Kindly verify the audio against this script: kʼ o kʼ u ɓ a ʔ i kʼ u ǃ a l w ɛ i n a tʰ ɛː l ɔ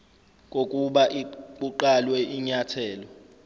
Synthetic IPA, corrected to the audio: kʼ o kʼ u ɓ a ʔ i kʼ u ǃ a l w ɛ i ɲ a tʰ ɛː l ɔ